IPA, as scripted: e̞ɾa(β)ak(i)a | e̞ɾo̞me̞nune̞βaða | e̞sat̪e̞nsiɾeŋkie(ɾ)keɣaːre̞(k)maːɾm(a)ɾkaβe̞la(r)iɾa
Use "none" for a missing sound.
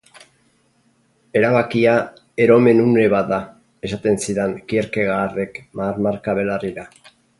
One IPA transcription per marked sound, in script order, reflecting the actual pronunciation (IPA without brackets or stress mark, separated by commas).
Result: β, i, ɾ, k, a, r